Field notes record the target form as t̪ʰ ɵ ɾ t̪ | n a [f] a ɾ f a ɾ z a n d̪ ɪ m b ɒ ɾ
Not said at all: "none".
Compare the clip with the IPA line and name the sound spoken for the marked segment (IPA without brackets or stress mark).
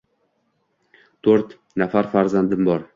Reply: f